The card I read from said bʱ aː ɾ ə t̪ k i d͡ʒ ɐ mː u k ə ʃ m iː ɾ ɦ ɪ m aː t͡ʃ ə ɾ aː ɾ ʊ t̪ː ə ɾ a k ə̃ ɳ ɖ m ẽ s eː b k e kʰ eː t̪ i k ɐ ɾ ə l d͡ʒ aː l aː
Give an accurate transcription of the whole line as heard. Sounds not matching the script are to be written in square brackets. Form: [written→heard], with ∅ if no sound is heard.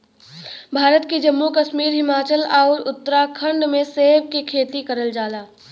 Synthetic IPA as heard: bʱ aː ɾ ə t̪ k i d͡ʒ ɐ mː u k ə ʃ m iː ɾ ɦ ɪ m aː t͡ʃ ə [ɾ→l] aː ɾ ʊ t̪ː ə ɾ a [k→kʰ] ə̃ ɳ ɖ m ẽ s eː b k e kʰ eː t̪ i k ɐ ɾ ə l d͡ʒ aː l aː

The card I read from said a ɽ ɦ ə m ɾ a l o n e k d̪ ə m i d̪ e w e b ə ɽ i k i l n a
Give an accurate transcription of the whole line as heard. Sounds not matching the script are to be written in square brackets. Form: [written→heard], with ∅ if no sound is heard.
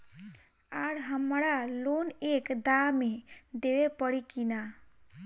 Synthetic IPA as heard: a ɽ ɦ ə m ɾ a l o n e k d̪ [ə→a] m [i→e] d̪ e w e [b→p] ə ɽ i k i [l→∅] n a

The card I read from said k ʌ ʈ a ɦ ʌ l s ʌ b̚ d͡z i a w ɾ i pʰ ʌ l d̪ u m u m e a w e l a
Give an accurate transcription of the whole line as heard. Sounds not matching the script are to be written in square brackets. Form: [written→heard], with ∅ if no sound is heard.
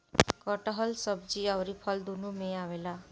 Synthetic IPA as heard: k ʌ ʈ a ɦ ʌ l s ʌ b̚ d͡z i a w ɾ i pʰ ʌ l d̪ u [m→n] u m e a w e l a

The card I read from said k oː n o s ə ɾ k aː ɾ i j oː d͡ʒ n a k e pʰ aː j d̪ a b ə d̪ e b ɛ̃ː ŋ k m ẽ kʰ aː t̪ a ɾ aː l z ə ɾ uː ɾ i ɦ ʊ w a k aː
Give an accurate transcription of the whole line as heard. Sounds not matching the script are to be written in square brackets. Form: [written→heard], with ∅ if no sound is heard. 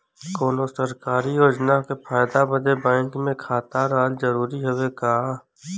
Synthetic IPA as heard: k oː n o s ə ɾ k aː ɾ i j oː d͡ʒ n a k e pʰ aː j d̪ a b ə d̪ e b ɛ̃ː ŋ k m ẽ kʰ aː t̪ a ɾ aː l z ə ɾ uː ɾ i ɦ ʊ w [a→e] k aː

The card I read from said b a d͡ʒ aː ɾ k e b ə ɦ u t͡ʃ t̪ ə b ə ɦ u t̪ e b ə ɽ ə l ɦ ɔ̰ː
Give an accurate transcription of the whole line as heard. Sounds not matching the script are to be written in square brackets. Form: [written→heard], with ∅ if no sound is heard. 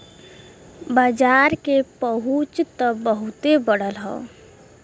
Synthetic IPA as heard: b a d͡ʒ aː ɾ k e [b→p] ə ɦ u t͡ʃ t̪ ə b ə ɦ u t̪ e b ə ɽ ə l ɦ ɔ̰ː

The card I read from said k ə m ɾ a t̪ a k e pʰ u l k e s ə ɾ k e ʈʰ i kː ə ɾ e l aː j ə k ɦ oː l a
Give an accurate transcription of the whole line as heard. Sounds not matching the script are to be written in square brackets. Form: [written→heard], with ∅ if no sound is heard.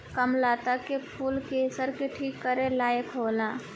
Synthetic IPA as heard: k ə m [ɾ→l] a t̪ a k e pʰ u l k e s ə ɾ k e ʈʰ i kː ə ɾ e l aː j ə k ɦ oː l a

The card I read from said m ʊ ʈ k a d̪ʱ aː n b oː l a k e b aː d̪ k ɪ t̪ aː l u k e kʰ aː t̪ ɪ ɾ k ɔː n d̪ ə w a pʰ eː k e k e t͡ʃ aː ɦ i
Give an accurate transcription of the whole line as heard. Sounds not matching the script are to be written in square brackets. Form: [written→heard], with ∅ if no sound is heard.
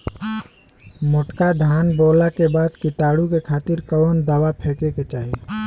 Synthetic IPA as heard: m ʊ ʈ k a d̪ʱ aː n b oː l a k e b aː d̪ k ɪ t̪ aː [l→ɽ] u k e kʰ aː t̪ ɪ ɾ k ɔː n d̪ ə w a pʰ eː k e k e t͡ʃ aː ɦ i

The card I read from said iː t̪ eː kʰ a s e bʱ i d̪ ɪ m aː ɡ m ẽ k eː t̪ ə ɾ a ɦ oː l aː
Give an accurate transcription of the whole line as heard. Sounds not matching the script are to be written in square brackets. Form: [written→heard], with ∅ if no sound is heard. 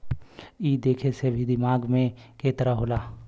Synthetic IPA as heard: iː [t̪→d̪] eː kʰ [a→e] s e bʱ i d̪ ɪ m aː ɡ m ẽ k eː t̪ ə ɾ a ɦ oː l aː

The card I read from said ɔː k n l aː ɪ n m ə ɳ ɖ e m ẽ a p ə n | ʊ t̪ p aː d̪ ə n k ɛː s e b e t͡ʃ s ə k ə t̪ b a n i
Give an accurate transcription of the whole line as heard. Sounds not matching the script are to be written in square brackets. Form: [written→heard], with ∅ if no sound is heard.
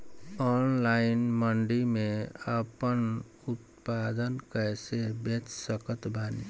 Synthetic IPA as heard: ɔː [k→∅] n l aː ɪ n m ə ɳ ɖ [e→i] m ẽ [a→ə] p ə n | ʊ t̪ p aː d̪ ə n k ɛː s e b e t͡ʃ s ə k ə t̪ b a n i

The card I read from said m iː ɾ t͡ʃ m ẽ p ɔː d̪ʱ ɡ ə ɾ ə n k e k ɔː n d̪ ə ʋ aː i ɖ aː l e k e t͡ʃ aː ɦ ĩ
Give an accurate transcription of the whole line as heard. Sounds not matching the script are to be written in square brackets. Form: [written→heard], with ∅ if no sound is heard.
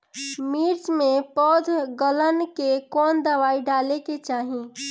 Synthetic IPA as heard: m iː ɾ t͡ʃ m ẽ p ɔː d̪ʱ ɡ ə [ɾ→l] ə n k e k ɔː n d̪ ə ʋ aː i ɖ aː l e k e t͡ʃ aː ɦ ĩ

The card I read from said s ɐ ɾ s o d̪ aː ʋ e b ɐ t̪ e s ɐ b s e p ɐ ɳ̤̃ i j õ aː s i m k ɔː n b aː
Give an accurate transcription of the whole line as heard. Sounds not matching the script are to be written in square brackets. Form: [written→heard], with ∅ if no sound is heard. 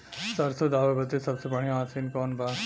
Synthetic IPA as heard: s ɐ ɾ s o d̪ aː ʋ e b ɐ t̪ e s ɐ b s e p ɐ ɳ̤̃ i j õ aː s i [m→n] k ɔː n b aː

